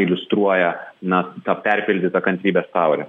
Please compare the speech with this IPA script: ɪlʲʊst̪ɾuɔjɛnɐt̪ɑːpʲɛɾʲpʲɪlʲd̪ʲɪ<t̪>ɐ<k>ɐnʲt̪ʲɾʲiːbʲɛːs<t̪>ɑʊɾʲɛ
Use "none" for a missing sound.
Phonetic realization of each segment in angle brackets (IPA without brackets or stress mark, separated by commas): t̪, k, t̪